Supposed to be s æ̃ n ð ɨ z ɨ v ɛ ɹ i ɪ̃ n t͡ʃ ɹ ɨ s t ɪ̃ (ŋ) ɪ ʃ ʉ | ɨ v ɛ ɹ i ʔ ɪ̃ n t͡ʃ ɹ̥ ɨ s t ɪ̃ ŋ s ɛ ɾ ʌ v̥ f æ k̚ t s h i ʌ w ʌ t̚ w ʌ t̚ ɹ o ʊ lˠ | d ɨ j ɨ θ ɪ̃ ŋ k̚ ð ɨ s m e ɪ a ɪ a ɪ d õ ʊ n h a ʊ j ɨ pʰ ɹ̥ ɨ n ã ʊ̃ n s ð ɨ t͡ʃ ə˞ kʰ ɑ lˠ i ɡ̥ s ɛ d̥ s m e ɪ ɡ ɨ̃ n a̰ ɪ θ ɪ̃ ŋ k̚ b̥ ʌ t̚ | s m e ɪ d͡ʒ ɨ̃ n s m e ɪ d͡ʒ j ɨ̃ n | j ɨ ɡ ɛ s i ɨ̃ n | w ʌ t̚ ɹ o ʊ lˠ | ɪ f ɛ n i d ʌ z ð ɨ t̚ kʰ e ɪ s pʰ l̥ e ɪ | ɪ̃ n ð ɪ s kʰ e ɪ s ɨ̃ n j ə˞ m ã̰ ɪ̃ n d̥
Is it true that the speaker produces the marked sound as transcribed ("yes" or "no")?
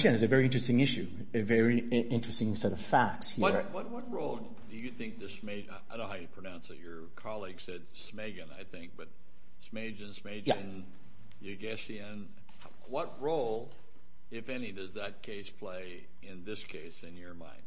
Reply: yes